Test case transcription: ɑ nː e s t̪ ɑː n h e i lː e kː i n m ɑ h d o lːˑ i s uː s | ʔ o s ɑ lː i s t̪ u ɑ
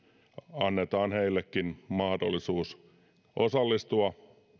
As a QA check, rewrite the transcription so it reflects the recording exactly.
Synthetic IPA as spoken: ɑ nː e t̪ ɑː n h e i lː e kː i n m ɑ h d o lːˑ i s uː s | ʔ o s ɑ lː i s t̪ u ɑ